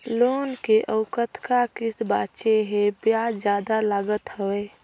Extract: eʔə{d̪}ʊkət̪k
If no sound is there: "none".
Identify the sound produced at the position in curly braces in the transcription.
none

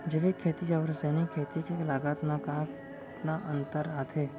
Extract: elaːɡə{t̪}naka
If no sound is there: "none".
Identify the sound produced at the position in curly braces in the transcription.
t̪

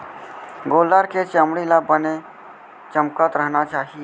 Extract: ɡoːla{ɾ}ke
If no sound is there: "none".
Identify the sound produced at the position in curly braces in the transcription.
ɾ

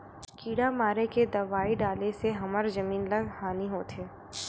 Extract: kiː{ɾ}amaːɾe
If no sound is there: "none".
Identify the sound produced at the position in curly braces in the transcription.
ɽ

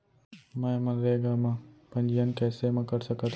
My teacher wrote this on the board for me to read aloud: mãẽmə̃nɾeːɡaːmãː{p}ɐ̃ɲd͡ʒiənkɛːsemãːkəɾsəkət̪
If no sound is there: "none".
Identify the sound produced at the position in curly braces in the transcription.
p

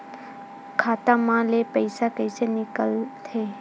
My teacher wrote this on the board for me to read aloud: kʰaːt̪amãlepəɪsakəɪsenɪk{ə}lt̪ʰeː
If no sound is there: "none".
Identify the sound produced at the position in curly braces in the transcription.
ə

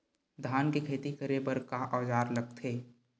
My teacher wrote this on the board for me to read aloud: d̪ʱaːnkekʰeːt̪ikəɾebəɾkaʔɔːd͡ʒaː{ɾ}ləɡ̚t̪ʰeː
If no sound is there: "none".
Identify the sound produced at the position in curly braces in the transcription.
ɾ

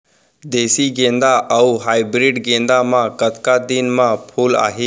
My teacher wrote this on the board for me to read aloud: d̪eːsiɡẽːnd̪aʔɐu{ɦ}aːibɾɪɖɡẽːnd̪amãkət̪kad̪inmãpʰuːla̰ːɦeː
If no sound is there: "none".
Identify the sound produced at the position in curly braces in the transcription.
ɦ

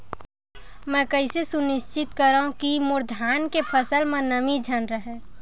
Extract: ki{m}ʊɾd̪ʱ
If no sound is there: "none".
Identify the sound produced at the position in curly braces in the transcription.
m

